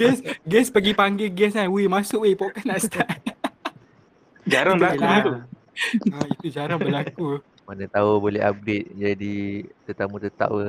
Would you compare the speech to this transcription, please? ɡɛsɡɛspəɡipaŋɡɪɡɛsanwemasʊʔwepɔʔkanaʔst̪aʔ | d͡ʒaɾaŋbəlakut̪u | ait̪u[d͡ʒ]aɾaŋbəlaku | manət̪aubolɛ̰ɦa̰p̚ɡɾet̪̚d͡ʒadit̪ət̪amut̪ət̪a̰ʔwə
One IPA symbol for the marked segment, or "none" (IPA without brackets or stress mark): d͡ʒ